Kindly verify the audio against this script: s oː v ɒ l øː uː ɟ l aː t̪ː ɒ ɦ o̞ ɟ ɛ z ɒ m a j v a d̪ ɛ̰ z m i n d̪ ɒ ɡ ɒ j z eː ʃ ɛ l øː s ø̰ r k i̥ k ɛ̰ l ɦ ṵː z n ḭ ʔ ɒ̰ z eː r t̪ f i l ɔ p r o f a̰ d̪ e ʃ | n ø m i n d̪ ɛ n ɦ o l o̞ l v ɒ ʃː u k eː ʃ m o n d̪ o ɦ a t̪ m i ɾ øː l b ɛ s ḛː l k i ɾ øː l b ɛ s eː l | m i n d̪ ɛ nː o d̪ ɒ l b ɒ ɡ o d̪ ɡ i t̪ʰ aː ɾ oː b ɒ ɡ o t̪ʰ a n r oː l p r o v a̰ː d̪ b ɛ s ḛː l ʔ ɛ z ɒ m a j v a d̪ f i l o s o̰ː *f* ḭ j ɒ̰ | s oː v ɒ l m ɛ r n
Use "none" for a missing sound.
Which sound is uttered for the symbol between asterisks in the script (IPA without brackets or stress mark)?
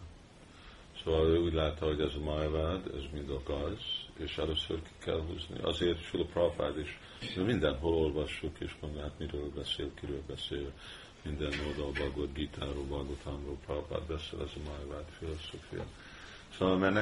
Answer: f